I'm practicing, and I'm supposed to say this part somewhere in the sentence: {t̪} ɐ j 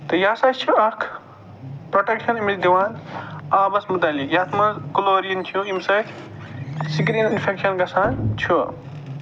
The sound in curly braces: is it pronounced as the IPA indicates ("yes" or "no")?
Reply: yes